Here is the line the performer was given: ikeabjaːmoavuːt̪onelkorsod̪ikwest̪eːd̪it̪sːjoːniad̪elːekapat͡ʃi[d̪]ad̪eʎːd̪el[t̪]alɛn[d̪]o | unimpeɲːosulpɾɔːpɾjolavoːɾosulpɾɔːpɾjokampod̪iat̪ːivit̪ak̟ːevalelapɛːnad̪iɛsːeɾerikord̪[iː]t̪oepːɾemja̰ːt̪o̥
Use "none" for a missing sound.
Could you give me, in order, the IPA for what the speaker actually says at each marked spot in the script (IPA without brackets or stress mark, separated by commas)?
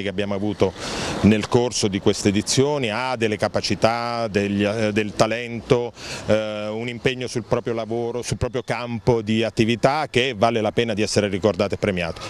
t̪, t̪, t̪, aː